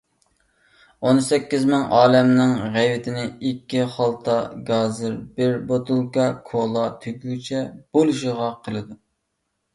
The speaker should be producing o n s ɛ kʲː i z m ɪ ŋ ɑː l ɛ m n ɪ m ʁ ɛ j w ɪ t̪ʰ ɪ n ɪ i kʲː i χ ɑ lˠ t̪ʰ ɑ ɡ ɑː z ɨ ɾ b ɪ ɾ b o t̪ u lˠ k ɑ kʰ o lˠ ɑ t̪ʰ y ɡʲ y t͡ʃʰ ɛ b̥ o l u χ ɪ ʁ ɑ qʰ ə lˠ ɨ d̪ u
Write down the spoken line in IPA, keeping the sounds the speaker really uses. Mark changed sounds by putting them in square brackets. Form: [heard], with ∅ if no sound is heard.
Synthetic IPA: o n s ɛ kʲː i z m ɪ ŋ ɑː l ɛ m n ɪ [ŋ] ʁ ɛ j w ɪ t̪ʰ ɪ n ɪ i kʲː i χ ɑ lˠ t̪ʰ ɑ ɡ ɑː z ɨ ɾ b ɪ ɾ b o t̪ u lˠ k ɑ kʰ o lˠ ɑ t̪ʰ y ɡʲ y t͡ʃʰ ɛ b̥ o l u [ʃ] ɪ ʁ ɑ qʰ ə lˠ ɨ d̪ u